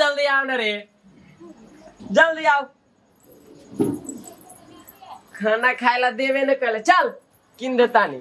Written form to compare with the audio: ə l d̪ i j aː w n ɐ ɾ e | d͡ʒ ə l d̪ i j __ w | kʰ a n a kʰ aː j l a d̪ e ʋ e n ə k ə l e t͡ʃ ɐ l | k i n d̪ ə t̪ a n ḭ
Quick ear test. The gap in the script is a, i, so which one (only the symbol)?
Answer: a